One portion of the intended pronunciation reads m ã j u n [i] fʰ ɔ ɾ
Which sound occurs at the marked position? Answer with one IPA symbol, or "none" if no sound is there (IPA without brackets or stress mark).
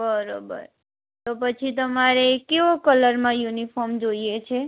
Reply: i